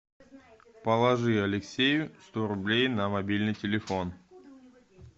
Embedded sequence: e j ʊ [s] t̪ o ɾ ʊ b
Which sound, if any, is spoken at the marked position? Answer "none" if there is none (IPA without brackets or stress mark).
s